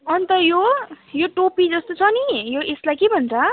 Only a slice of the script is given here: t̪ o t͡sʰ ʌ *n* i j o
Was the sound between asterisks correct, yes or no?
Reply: yes